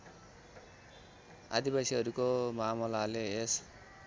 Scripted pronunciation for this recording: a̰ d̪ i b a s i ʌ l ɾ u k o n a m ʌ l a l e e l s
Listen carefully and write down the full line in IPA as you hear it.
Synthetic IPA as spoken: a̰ d̪ i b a s i ʌ ɾ u k o m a m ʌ l a l e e s